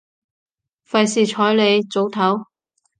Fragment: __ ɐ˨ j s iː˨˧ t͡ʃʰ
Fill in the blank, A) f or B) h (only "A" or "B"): A